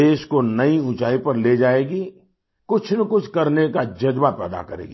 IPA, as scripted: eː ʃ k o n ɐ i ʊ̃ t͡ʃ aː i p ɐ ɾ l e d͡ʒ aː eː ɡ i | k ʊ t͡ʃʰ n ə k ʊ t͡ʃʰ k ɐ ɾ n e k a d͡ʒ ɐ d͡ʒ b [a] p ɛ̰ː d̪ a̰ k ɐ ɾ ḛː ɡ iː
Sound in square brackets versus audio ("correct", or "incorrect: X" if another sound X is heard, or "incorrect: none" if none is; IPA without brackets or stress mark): correct